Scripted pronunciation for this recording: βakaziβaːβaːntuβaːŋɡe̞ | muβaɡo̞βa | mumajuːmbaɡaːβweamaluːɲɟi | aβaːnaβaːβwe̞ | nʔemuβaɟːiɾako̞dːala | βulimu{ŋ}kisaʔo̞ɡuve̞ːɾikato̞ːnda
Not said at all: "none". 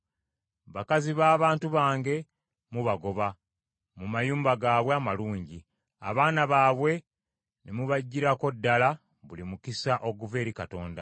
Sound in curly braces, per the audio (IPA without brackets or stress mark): none